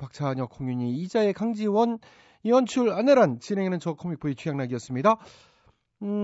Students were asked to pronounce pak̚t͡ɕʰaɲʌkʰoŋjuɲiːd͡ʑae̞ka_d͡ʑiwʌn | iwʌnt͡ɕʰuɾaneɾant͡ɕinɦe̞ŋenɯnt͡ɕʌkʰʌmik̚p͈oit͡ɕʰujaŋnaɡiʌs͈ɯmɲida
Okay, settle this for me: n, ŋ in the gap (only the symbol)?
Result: ŋ